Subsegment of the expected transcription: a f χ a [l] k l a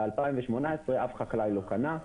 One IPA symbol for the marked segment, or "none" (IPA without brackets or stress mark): none